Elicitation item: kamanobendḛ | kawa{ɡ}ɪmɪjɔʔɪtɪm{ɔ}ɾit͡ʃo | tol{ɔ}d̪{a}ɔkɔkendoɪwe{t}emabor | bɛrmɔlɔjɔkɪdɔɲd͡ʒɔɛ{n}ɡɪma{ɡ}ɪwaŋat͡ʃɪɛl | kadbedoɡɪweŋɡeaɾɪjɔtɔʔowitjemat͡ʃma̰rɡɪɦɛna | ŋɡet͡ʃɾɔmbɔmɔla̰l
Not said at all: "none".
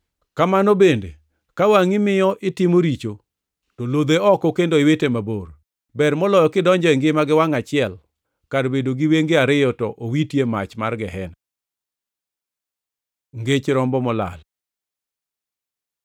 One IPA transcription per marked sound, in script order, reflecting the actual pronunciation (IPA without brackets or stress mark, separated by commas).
ŋ, o, o, e, t, ŋ, ɡ